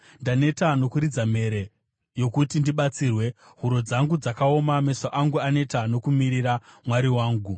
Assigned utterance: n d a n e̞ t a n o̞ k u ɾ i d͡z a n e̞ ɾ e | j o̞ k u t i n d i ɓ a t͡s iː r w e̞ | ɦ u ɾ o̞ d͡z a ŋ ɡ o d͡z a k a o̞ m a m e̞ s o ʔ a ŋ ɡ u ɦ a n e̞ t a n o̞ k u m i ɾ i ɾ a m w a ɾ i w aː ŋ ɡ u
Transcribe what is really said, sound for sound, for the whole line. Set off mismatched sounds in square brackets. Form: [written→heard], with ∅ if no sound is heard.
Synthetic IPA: n d a n e̞ t a n o̞ k u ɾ i d͡z a [n→m] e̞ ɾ e | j o̞ k u t i n d i ɓ a t͡s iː r w e̞ | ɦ u ɾ o̞ d͡z a ŋ ɡ [o→u] d͡z a k a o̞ m a m e̞ s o ʔ a ŋ ɡ u [ɦ→∅] a n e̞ t a n o̞ k u m i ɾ i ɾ a m w a ɾ i w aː ŋ ɡ u

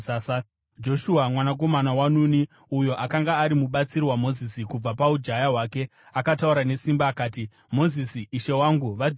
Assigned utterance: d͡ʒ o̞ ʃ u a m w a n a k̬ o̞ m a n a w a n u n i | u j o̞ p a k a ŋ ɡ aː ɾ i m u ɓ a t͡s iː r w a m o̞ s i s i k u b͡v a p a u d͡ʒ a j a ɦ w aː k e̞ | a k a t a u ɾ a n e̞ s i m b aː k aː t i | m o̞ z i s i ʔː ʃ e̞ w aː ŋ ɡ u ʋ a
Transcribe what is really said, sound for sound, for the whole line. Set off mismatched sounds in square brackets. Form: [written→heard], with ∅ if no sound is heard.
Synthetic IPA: d͡ʒ o̞ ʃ u a m w a n a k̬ o̞ m a n a w a n u n i | u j o̞ [p→ʔ] a k a ŋ ɡ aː ɾ i m u ɓ a t͡s [iː→i] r w a m o̞ [s→z] i s i k u b͡v a p a u d͡ʒ a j a ɦ w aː k e̞ | a k a t a u ɾ a n e̞ s i m b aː k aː t i | m o̞ z i s i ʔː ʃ e̞ w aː ŋ ɡ u ʋ a

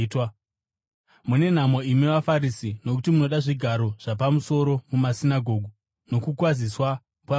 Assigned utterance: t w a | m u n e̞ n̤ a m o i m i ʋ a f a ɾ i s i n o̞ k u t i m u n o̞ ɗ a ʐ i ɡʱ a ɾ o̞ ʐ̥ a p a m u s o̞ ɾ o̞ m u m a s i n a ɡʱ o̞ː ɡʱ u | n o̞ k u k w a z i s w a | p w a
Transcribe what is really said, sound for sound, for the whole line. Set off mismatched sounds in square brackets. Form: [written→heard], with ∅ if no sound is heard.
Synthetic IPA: t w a | m u n e̞ n̤ a m o i m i ʋ a f a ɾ i s i n o̞ k u t i m u n o̞ ɗ a ʐ i ɡʱ a ɾ o̞ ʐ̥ a p a m u s o̞ ɾ o̞ m u m a s i n a ɡʱ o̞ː ɡʱ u | n o̞ k u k w a z i s w a | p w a

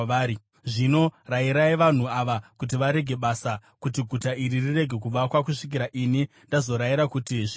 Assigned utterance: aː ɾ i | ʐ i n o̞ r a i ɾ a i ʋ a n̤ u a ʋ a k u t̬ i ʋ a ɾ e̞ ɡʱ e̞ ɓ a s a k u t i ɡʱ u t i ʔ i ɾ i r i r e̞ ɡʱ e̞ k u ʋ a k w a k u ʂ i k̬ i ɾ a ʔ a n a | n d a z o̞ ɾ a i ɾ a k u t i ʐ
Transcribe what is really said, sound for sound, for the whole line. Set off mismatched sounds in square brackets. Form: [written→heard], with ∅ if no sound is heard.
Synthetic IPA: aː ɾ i | ʐ i n o̞ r a i ɾ a i ʋ a n̤ u a ʋ a k u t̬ i ʋ a ɾ e̞ ɡʱ e̞ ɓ a s a k u t i ɡʱ u t [i→a] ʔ i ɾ i r i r e̞ ɡʱ e̞ k u ʋ a k w a k u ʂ i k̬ i ɾ a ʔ [a→i] n [a→i] | n d a z o̞ ɾ a i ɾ a k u t i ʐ

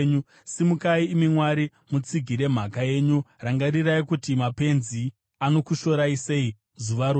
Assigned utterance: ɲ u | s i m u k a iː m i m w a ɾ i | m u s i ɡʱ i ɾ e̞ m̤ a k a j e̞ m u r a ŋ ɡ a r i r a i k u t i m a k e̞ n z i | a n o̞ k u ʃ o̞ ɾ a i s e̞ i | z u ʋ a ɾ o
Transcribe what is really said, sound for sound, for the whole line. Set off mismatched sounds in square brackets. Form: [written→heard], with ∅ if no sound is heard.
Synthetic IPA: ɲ u | s i m u k a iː m i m w a ɾ i | m u [s→t͡s] i ɡʱ i ɾ e̞ m̤ a k a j e̞ [m→ɲ] u r a ŋ ɡ a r i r a i k u t i m a [k→p] e̞ n z i | a n o̞ k u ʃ o̞ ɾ a i s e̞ i | z u ʋ a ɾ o

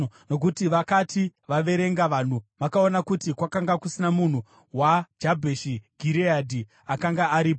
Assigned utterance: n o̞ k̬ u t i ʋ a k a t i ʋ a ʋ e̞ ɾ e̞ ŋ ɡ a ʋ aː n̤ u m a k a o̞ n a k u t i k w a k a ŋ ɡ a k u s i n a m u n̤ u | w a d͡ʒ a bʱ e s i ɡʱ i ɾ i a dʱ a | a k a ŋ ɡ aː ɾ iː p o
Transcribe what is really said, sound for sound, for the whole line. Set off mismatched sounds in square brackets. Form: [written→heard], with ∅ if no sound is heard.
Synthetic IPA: n o̞ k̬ u t i ʋ a k a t i ʋ a ʋ e̞ ɾ e̞ ŋ ɡ a ʋ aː n̤ u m a k a o̞ n a k u t i k w a k a ŋ ɡ a k u s i n a m u n̤ u | w a d͡ʒ a bʱ e [s→ʃ] i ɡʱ i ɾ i a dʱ [a→i] | a k a ŋ ɡ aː ɾ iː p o

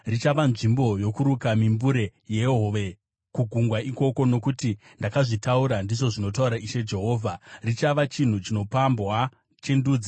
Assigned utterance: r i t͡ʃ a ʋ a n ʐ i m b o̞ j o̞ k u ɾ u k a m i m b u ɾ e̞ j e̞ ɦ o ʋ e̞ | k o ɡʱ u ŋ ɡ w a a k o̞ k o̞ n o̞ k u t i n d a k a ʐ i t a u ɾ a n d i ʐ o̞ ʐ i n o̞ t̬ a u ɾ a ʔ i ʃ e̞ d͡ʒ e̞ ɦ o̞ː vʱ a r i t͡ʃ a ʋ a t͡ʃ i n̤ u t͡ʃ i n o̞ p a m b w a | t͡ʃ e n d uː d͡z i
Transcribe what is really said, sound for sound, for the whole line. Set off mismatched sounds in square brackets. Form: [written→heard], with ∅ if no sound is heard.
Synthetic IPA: r i t͡ʃ a ʋ a n ʐ i m b o̞ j o̞ k u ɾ u k a m i m b u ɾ e̞ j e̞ ɦ o ʋ e̞ | k [o→u] ɡʱ u ŋ ɡ w a [a→i] k o̞ k o̞ n o̞ k u t i n d a k a ʐ i t a u ɾ a n d i ʐ o̞ ʐ i n o̞ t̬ a u ɾ a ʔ i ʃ e̞ d͡ʒ e̞ ɦ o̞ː vʱ a r i t͡ʃ a ʋ a t͡ʃ i n̤ u t͡ʃ i n o̞ p a m b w a | t͡ʃ e n d uː d͡z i

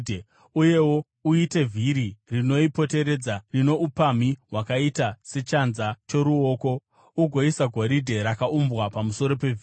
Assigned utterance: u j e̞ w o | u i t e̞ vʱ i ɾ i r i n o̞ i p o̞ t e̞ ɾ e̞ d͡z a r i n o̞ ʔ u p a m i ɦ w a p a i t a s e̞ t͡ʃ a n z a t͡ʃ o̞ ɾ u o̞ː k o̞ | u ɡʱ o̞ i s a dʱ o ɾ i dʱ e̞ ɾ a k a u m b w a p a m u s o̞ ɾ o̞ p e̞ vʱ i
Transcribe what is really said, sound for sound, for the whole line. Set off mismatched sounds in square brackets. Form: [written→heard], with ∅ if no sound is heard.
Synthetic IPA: u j e̞ w o | u i t e̞ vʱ i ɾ i r i n o̞ i p o̞ t e̞ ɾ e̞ d͡z a r i n o̞ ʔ u p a m i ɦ w a [p→k] a i t a s e̞ t͡ʃ a n z a t͡ʃ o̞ ɾ u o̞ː k o̞ | u ɡʱ o̞ i s a [dʱ→ɡʱ] o ɾ i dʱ e̞ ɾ a k a u m b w a p a m u s o̞ ɾ o̞ p e̞ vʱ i

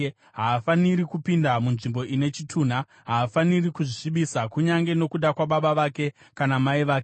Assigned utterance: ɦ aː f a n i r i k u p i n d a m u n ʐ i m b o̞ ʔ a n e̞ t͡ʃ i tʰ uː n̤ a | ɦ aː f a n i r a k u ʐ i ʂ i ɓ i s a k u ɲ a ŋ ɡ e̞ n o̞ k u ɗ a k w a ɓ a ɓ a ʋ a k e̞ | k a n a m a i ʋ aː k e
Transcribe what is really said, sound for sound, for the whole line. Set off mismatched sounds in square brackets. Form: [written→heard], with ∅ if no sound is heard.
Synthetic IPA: ɦ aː f a n i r i k u p i n d a m u n ʐ i m b o̞ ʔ [a→i] n e̞ t͡ʃ i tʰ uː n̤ a | ɦ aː f a n i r [a→i] k u ʐ i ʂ i ɓ i s a k u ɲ a ŋ ɡ e̞ n o̞ k u ɗ a k w a ɓ a ɓ a ʋ a k e̞ | k a n a m a i ʋ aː k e

